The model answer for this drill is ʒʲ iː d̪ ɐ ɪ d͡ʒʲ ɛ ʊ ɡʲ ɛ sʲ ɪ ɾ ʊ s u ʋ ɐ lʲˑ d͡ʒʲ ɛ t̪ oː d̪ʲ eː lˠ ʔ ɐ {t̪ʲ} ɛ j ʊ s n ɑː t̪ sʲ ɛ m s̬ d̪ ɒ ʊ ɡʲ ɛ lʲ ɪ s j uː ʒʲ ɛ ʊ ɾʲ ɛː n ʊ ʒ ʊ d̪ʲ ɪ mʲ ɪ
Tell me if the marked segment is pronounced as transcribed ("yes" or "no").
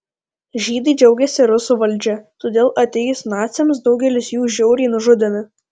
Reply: yes